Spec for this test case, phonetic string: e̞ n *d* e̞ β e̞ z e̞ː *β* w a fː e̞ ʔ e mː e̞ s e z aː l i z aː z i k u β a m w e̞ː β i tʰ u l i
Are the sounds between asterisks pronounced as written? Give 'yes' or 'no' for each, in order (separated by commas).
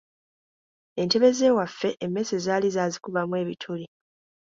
no, no